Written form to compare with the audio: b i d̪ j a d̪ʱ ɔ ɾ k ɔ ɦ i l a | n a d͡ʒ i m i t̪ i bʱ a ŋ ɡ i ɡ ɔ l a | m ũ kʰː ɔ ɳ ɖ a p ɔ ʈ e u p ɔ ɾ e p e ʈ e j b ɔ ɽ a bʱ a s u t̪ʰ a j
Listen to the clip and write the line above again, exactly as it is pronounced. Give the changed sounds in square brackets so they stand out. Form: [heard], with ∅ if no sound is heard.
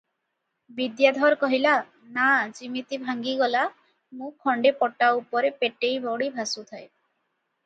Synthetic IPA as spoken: b i d̪ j a d̪ʱ ɔ ɾ k ɔ ɦ i l a | n a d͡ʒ i m i t̪ i bʱ a ŋ ɡ i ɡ ɔ l a | m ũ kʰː ɔ ɳ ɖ [e] p ɔ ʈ [a] u p ɔ ɾ e p e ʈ e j b ɔ ɽ [i] bʱ a s u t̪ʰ a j

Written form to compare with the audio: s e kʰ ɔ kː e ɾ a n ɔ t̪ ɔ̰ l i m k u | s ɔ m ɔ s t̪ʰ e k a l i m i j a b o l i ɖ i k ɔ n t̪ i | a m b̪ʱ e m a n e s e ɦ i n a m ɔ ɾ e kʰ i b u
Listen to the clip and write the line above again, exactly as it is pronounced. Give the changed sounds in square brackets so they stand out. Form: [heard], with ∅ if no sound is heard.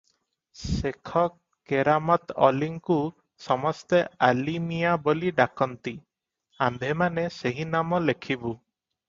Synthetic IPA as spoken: s e kʰ ɔ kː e ɾ a [m] ɔ t̪ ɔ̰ l i [ŋ] k u | s ɔ m ɔ s [t̪] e [∅] a l i m i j a b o l i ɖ [a] k ɔ n t̪ i | a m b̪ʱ e m a n e s e ɦ i n a m ɔ [l] e kʰ i b u

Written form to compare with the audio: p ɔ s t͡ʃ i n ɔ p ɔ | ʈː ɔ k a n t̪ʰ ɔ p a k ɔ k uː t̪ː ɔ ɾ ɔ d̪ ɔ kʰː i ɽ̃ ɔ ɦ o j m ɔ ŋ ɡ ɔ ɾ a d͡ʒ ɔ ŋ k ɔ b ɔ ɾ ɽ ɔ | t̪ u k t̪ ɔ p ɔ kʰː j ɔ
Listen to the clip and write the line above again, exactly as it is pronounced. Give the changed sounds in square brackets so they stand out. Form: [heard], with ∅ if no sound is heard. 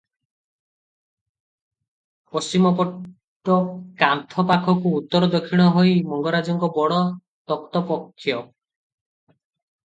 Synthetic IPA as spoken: p ɔ s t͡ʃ i [m] ɔ p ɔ | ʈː ɔ k a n t̪ʰ ɔ p a [kʰ] ɔ k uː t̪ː ɔ ɾ ɔ d̪ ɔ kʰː i ɽ̃ ɔ ɦ o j m ɔ ŋ ɡ ɔ ɾ a d͡ʒ ɔ ŋ k ɔ b ɔ [∅] ɽ ɔ | t̪ [ɔ] k t̪ ɔ p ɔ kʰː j ɔ

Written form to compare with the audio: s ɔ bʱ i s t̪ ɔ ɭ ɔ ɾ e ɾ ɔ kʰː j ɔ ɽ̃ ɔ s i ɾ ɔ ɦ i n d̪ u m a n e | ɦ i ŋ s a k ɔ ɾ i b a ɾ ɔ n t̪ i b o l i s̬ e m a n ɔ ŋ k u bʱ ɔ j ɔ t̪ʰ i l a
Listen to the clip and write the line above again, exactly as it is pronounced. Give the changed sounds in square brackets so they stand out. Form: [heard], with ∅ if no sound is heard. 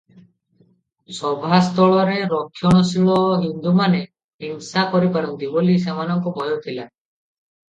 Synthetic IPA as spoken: s ɔ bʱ [a] s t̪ ɔ ɭ ɔ ɾ e ɾ ɔ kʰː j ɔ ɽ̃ ɔ s i [ɭ] ɔ ɦ i n d̪ u m a n e | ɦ i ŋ s a k ɔ ɾ i [p] a ɾ ɔ n t̪ i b o l i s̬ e m a n ɔ ŋ k [ɔ] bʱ ɔ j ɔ t̪ʰ i l a

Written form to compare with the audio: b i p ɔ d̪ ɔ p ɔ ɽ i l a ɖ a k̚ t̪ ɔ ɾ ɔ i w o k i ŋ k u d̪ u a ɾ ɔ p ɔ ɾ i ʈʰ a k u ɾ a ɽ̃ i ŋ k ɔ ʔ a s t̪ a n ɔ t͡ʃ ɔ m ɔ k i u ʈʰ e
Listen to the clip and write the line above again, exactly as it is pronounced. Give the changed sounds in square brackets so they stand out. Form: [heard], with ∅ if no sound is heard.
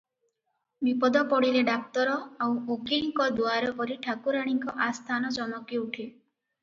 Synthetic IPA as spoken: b i p ɔ d̪ ɔ p ɔ ɽ i l [e] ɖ a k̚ t̪ ɔ ɾ ɔ [a] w o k i ŋ k [ɔ] d̪ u a ɾ ɔ p ɔ ɾ i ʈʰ a k u ɾ a ɽ̃ i ŋ k ɔ ʔ a s [t̪ʰ] a n ɔ t͡ʃ ɔ m ɔ k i u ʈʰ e

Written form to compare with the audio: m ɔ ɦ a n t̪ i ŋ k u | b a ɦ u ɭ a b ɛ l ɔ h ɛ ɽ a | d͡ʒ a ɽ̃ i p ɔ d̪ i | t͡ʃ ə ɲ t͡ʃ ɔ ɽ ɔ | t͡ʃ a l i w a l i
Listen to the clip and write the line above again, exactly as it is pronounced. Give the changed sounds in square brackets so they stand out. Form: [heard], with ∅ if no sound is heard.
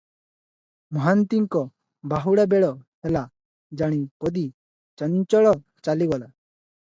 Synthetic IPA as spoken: m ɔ ɦ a n t̪ i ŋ k [ɔ] | b a ɦ u [ɽ] a b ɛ [ɽ] ɔ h ɛ [l] a | d͡ʒ a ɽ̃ i p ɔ d̪ i | t͡ʃ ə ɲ t͡ʃ ɔ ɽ ɔ | t͡ʃ a l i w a l [a]

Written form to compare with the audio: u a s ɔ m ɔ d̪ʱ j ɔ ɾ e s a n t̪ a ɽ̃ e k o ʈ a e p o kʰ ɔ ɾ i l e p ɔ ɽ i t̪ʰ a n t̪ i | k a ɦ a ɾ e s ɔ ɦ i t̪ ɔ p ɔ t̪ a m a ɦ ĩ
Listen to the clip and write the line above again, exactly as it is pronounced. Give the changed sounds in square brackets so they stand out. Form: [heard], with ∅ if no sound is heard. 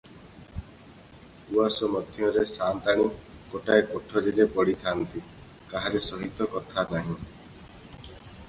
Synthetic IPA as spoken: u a s ɔ m ɔ d̪ʱ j ɔ ɾ e s a n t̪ a ɽ̃ [i] k o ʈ a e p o [ʈʰ] ɔ ɾ i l e p ɔ ɽ i t̪ʰ a n t̪ i | k a ɦ a ɾ e s ɔ ɦ i t̪ ɔ [k] ɔ [t̪ʰ] a [n] a ɦ ĩ

